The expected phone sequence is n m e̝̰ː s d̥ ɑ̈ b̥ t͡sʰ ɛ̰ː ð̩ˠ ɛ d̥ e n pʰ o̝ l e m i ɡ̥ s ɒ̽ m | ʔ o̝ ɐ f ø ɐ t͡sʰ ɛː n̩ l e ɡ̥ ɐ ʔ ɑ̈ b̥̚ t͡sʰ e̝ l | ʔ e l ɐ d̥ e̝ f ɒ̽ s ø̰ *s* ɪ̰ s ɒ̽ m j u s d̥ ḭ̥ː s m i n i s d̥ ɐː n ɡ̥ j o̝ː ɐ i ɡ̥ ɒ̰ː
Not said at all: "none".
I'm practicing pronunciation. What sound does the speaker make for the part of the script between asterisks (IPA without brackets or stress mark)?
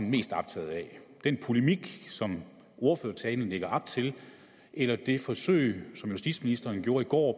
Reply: none